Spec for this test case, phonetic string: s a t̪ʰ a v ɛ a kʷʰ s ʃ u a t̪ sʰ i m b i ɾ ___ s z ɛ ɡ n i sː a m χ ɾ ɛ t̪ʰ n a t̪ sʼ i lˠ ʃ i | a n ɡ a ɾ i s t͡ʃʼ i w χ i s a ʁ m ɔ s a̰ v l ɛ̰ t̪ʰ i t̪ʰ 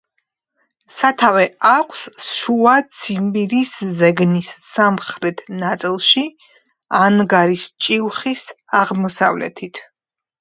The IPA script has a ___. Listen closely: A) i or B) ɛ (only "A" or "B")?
A